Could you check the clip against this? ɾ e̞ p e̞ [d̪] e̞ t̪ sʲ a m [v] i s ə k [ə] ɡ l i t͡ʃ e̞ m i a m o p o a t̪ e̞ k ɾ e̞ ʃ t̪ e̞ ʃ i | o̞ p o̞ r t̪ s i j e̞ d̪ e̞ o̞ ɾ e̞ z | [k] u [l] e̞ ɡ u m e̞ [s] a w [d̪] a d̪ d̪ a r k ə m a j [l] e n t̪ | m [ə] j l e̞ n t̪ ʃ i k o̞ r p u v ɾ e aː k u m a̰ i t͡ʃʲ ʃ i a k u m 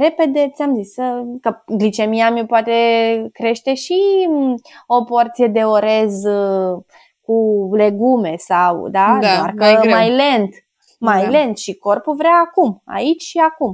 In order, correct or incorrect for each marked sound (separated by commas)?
correct, incorrect, correct, correct, correct, correct, correct, correct, incorrect